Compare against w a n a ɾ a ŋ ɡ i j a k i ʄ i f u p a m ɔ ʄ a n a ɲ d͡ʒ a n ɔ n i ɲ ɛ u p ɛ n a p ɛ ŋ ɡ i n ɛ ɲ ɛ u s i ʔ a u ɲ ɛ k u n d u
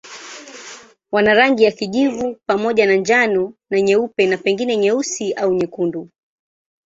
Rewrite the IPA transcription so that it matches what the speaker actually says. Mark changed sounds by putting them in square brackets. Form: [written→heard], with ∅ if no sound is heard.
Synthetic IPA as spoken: w a n a ɾ a ŋ ɡ i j a k i ʄ i [f→v] u p a m ɔ ʄ a n a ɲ d͡ʒ a n ɔ n [i→a] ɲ ɛ u p ɛ n a p ɛ ŋ ɡ i n ɛ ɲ ɛ u s i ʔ a u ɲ ɛ k u n d u